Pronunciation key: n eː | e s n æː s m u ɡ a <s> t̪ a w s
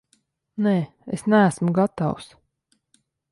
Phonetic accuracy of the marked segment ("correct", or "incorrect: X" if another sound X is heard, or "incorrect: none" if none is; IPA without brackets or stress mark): incorrect: none